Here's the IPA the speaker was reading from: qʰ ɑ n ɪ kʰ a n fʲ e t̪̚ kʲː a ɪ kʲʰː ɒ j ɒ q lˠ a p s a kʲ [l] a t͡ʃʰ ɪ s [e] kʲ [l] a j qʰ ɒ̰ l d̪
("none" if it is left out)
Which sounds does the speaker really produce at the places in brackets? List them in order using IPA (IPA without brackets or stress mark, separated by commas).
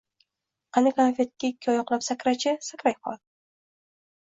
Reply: ɾ, a, ɾ